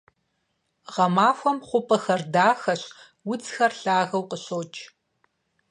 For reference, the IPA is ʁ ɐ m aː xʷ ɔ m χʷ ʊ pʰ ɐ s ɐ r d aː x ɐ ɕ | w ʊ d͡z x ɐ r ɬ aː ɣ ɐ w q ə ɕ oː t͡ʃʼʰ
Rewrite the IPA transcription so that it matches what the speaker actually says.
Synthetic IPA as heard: ʁ ɐ m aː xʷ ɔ m χʷ ʊ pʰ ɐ x ɐ r d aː x ɐ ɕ | w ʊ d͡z x ɐ r ɬ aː ɣ ɐ w q ə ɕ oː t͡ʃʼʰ